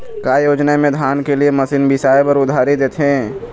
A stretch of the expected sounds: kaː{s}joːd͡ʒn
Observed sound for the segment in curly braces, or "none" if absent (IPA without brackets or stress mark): none